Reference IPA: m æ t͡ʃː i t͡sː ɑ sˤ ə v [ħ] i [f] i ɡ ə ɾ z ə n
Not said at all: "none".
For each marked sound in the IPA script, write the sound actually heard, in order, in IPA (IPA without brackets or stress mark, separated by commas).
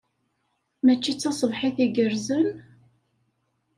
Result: ħ, θ